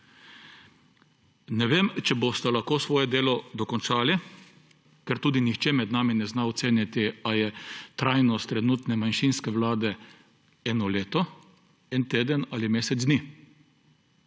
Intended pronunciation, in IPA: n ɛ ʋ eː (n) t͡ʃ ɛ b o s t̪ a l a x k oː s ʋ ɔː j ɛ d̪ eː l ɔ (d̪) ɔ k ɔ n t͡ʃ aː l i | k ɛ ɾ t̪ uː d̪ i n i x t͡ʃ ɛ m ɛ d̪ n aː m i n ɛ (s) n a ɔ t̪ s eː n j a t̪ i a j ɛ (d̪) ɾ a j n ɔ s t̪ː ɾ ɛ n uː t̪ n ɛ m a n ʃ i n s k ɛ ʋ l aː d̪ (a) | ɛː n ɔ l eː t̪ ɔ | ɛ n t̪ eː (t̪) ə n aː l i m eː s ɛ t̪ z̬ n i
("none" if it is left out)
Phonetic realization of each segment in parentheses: m, d̪, z, t̪, ɛ, d̪

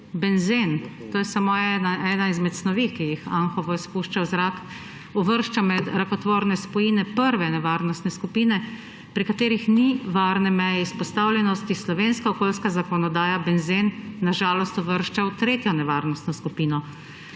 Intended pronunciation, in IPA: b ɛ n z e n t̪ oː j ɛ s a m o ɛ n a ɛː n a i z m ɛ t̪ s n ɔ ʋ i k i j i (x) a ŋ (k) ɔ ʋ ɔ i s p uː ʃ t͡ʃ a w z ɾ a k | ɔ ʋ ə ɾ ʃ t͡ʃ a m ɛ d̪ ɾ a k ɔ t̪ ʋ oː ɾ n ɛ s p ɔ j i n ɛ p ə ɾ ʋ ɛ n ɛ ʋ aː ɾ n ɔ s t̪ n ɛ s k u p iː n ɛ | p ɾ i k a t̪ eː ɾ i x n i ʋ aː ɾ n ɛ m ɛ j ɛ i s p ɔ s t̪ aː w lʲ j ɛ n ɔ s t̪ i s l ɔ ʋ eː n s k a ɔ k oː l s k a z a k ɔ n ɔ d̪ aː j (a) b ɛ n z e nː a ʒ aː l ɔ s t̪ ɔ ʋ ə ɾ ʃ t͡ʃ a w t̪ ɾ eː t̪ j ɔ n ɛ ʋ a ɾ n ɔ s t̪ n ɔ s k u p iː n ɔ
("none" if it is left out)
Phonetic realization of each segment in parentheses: x, x, a

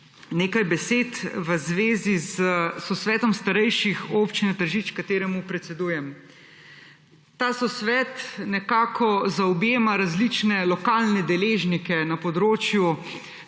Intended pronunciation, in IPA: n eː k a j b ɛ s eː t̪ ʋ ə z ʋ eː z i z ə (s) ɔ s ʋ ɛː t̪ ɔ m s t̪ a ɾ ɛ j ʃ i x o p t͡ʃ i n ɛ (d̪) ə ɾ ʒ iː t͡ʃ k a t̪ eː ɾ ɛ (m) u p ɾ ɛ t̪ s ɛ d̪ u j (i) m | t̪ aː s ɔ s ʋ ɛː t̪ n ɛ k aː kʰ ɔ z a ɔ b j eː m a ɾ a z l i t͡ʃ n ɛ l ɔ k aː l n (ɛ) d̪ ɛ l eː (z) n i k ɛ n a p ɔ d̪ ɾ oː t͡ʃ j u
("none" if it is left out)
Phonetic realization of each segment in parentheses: s, t̪, m, ɛ, ɛ, ʒ

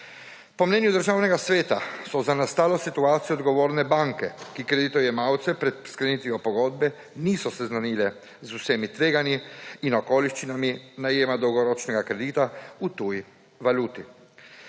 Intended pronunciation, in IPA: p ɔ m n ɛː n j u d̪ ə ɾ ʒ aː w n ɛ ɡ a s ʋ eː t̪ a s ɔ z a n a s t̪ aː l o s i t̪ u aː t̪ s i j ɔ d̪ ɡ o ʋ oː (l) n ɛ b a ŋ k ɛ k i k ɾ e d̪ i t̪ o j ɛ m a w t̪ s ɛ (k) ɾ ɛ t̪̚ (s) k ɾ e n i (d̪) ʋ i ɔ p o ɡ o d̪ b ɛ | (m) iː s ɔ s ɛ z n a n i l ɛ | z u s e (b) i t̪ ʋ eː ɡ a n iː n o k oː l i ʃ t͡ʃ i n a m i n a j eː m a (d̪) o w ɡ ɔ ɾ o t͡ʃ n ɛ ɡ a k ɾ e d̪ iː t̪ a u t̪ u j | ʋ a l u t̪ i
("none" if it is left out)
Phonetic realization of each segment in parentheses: ɾ, p, s, t̪, n, m, d̪

